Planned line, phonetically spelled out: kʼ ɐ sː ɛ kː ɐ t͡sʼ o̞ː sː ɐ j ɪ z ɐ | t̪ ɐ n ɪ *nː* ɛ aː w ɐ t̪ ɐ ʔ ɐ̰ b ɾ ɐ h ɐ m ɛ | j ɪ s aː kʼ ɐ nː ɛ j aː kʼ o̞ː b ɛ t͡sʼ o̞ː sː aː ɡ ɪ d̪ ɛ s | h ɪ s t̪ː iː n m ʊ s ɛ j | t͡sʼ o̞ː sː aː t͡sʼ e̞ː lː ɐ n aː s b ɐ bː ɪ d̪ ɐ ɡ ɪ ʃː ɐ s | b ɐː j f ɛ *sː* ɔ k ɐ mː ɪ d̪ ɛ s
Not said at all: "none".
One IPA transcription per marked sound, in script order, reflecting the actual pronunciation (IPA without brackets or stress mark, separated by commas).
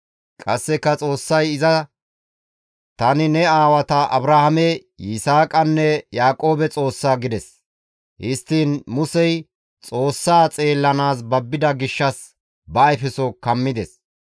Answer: n, s